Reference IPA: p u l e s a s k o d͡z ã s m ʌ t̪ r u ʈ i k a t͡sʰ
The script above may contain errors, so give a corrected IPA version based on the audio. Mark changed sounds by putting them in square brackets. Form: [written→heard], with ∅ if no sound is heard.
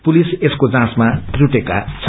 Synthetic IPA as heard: p u l [e→i] s [a→e] s k o d͡z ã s m [ʌ→a] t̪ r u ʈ [i→e] k a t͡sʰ